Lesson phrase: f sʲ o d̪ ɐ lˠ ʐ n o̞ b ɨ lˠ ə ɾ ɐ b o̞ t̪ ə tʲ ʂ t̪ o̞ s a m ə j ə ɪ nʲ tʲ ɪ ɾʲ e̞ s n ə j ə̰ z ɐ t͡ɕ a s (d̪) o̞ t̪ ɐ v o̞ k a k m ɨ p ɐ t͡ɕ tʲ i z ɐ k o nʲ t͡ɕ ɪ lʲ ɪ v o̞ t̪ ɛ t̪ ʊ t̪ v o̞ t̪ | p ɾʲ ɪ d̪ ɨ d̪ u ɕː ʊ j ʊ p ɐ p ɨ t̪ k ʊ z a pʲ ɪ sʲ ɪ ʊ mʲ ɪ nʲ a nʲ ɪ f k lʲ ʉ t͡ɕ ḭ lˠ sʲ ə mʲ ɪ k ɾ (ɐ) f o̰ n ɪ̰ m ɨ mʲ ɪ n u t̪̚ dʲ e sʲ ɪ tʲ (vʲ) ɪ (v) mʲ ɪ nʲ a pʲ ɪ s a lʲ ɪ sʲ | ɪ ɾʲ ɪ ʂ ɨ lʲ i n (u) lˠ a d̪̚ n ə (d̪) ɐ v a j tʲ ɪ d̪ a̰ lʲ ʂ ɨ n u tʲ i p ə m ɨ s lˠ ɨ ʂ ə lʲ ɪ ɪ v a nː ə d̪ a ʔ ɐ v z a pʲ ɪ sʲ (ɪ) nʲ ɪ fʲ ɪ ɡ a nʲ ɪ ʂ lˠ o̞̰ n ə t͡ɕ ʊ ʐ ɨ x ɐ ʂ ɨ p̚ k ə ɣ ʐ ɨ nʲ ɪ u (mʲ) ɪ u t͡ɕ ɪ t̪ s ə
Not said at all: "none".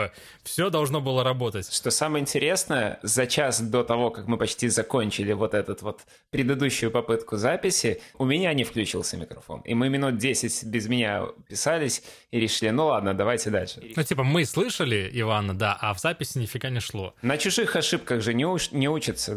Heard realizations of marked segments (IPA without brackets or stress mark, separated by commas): d̪, ɐ, bʲ, z, u, d̪, ɪ, nʲ